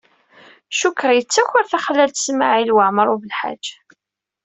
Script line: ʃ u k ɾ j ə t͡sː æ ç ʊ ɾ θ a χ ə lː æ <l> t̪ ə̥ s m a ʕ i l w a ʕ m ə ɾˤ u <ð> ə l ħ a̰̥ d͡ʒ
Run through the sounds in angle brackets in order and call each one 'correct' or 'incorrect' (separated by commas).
correct, incorrect